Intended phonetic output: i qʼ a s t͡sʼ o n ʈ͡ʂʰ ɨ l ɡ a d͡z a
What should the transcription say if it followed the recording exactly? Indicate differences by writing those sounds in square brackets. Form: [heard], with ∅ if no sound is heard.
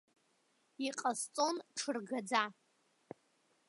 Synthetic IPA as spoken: i qʼ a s t͡sʼ o n ʈ͡ʂʰ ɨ [r] ɡ a d͡z a